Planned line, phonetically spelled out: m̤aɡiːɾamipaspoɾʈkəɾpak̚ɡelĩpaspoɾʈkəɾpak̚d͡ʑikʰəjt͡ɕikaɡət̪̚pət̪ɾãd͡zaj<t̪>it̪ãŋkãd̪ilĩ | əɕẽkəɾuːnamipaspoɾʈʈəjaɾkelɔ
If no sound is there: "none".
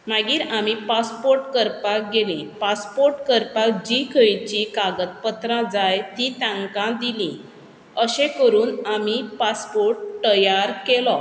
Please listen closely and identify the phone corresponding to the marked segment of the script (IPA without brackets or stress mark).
t̪